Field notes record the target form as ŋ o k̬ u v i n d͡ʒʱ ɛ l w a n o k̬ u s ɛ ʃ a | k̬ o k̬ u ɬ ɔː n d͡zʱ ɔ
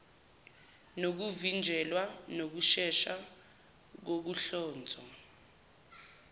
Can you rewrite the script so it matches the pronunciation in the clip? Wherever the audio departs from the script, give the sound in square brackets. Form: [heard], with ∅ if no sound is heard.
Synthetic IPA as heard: [n] o k̬ u v i n d͡ʒʱ ɛ l w a n o k̬ u [ʃ] ɛ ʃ a | k̬ o k̬ u ɬ ɔː n d͡zʱ ɔ